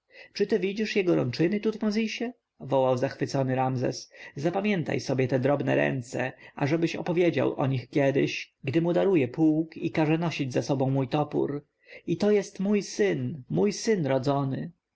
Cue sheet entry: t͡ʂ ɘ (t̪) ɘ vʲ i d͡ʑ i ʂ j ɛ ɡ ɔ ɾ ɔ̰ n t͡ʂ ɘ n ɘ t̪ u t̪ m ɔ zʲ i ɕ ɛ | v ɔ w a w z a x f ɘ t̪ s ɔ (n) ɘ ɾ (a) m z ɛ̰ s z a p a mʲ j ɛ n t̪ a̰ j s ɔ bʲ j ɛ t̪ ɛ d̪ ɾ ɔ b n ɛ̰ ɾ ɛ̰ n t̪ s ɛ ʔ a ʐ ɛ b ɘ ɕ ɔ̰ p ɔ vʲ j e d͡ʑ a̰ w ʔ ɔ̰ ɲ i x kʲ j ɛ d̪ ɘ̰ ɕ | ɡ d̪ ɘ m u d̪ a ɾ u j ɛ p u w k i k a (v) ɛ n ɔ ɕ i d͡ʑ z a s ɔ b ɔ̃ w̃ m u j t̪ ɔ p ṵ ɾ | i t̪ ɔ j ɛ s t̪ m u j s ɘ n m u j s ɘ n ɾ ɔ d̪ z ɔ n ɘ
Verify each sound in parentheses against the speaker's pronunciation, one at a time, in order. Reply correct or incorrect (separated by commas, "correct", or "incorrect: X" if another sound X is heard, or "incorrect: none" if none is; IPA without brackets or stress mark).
correct, correct, correct, incorrect: ʐ